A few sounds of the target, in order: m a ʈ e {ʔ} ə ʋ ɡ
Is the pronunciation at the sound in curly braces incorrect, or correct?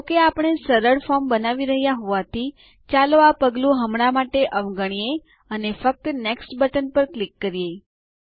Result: correct